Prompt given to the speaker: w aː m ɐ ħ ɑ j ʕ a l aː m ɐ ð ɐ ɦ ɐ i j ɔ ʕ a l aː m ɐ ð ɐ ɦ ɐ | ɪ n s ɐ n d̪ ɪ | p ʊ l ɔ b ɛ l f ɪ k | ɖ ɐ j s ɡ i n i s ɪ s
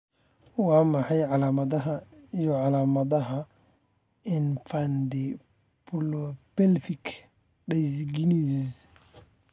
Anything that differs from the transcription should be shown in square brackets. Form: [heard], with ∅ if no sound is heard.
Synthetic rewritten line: w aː m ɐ ħ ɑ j ʕ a l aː m ɐ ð ɐ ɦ ɐ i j ɔ ʕ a l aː m ɐ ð ɐ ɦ ɐ | ɪ n [f] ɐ n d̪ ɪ | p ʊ l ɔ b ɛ l f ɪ k | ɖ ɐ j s ɡ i n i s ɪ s